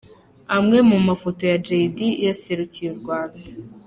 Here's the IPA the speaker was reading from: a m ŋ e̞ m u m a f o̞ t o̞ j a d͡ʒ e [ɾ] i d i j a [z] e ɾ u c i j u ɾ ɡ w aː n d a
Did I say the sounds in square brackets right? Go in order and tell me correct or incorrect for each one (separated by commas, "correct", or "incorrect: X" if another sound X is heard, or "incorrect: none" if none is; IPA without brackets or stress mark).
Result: incorrect: none, incorrect: s